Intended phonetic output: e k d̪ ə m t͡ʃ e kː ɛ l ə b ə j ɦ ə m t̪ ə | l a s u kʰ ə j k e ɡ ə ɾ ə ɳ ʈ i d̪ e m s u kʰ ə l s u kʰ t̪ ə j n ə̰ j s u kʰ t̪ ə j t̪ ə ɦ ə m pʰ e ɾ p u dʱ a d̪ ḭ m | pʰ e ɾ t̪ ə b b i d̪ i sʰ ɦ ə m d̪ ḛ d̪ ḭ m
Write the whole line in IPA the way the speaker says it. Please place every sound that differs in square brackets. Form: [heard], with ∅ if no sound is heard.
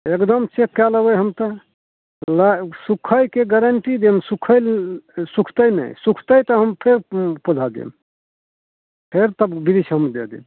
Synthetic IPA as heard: e k d̪ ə m t͡ʃ e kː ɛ l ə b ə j ɦ ə m t̪ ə | l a s u kʰ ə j k e ɡ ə ɾ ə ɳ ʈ i d̪ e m s u kʰ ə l s u kʰ t̪ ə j n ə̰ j s u kʰ t̪ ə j t̪ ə ɦ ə m pʰ e ɾ p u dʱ a d̪ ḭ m | pʰ e ɾ t̪ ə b b i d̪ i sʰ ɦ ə m d̪ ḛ d̪ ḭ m

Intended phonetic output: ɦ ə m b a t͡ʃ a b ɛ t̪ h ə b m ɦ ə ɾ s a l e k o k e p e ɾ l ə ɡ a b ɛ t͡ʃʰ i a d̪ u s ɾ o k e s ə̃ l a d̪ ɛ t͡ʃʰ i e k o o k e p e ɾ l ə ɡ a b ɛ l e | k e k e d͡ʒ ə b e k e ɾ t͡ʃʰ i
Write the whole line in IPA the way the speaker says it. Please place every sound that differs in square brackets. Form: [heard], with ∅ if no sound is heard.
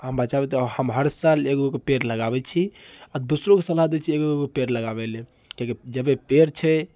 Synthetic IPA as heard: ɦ ə m b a t͡ʃ a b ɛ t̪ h ə [∅] m ɦ ə ɾ s a l e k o k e p e ɾ l ə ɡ a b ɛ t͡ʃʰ i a d̪ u s ɾ o k e s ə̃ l a d̪ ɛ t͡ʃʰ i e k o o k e p e ɾ l ə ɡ a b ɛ l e | k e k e d͡ʒ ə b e [p] e ɾ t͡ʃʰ [ɛ]

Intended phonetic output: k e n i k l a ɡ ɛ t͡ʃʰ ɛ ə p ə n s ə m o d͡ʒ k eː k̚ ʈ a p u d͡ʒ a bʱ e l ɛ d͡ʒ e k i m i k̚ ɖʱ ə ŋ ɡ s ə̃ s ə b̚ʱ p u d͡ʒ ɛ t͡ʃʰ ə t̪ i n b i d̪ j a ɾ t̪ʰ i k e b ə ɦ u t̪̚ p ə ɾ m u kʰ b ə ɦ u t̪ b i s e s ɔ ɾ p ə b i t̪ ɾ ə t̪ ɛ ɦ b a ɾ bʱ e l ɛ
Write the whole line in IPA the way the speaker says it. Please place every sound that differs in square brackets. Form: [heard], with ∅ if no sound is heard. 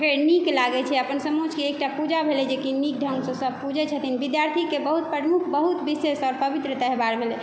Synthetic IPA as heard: k e n i k l a ɡ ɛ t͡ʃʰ ɛ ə p ə n s ə m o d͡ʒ k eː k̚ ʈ a p u d͡ʒ a bʱ e l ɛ d͡ʒ e k i [n] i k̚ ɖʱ ə ŋ ɡ s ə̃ s ə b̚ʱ p u d͡ʒ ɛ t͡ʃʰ ə t̪ i n b i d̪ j a ɾ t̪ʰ i k e b ə ɦ u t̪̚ p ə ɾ m u kʰ b ə ɦ u t̪ b i s e s ɔ ɾ p ə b i t̪ ɾ ə t̪ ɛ ɦ b a ɾ bʱ e l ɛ

